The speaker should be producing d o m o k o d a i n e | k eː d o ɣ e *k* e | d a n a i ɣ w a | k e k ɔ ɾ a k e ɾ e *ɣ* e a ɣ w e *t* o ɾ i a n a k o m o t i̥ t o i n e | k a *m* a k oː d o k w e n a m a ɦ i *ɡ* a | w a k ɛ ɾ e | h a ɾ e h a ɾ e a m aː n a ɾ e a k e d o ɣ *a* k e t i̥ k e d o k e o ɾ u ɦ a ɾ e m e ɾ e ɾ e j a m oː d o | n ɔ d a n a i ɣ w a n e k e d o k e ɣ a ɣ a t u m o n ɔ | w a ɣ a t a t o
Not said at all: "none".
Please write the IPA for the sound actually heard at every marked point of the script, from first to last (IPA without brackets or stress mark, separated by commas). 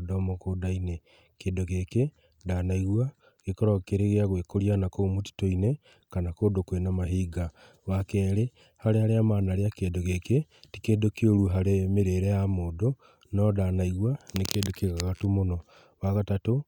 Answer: k, ɣ, k, n, ɡ, e